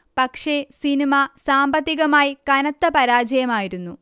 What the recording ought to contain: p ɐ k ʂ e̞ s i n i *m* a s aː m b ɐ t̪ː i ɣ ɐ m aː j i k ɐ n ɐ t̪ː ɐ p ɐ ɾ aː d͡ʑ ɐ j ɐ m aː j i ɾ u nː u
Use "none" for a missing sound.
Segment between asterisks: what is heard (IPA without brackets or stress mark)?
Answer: m